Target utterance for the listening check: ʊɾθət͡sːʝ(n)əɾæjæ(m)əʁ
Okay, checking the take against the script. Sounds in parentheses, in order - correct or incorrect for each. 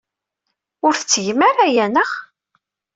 incorrect, incorrect

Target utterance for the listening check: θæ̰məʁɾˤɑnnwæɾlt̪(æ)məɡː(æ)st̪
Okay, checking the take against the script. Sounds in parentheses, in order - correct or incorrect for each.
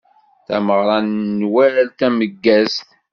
correct, correct

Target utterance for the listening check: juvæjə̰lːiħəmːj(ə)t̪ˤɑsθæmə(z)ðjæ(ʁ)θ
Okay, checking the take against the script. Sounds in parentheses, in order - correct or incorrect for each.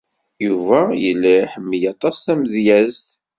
incorrect, incorrect, incorrect

